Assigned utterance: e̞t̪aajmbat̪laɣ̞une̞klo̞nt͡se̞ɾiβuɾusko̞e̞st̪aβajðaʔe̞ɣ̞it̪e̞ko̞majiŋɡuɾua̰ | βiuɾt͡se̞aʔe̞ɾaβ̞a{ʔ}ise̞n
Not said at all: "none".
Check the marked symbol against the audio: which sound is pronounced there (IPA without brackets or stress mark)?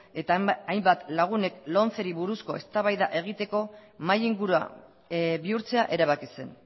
k